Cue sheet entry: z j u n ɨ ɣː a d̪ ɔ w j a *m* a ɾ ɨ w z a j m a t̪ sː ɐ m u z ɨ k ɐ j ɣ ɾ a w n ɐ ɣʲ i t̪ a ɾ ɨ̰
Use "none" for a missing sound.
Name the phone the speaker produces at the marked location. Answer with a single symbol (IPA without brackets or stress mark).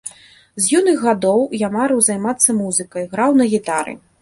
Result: m